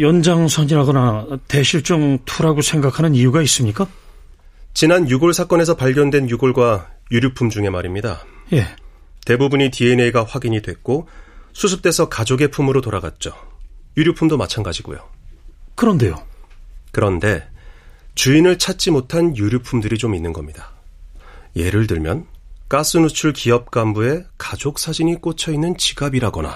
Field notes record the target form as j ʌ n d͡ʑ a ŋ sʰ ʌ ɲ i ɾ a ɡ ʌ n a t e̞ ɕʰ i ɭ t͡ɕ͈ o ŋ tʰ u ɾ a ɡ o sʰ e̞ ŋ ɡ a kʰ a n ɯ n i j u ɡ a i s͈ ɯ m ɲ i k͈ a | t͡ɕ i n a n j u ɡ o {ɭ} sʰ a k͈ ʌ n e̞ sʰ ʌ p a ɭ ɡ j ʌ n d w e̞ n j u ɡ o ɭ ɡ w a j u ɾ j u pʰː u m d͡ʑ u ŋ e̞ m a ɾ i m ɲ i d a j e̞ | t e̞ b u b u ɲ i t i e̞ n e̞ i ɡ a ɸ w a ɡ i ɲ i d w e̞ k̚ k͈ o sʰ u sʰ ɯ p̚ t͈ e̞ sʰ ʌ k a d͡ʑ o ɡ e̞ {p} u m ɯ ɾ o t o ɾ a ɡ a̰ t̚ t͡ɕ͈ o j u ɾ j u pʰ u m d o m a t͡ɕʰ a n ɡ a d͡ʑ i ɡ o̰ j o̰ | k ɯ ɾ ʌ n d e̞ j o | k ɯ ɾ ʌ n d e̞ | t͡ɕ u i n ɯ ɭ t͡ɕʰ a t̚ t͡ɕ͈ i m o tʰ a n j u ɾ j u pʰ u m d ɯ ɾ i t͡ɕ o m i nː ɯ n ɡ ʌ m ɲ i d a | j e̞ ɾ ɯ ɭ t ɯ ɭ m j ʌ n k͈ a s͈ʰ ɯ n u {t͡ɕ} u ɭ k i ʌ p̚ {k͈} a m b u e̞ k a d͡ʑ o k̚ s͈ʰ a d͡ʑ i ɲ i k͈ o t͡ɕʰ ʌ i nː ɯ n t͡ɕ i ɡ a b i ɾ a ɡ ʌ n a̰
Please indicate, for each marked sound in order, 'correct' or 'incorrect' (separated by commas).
correct, incorrect, incorrect, correct